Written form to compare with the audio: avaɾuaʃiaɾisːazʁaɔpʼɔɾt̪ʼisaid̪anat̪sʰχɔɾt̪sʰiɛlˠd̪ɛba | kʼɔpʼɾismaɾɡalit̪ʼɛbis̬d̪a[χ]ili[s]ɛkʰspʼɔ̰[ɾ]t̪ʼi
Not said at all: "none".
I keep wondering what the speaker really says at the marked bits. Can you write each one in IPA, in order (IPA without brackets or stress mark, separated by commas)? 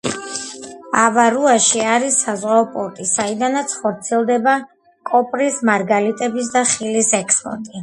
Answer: χ, s, ɾ